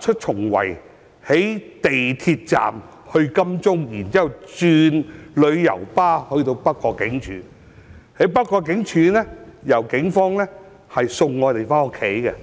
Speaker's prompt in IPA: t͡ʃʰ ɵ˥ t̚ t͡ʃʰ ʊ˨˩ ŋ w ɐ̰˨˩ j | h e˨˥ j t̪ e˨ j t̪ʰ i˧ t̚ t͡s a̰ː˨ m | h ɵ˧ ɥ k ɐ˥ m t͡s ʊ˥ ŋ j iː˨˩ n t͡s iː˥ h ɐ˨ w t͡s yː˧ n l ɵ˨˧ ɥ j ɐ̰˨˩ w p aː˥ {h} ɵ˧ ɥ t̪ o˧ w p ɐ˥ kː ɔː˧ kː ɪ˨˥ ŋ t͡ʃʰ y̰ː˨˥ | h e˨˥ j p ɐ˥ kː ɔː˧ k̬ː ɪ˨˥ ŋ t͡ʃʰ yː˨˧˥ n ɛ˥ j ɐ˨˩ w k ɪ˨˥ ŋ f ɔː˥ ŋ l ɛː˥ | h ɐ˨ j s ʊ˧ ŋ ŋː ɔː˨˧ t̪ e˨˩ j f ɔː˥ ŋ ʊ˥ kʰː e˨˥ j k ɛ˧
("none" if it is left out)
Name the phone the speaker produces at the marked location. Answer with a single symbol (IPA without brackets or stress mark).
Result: h